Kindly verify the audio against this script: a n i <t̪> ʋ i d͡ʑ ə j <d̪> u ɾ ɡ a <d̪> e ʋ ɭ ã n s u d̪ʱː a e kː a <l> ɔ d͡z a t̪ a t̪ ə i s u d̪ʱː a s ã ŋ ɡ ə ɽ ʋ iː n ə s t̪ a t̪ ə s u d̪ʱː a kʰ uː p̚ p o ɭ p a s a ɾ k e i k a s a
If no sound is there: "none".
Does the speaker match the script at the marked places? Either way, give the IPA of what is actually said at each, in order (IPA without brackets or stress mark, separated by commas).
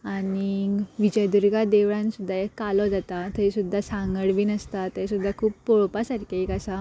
none, d̪, d̪, l